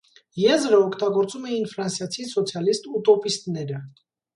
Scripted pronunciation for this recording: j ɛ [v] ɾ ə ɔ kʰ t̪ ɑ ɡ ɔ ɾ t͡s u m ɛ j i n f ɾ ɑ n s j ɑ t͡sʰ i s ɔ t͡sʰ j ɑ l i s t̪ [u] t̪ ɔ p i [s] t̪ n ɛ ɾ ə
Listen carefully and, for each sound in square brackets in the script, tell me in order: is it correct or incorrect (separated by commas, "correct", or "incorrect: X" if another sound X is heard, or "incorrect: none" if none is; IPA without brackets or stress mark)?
incorrect: z, correct, correct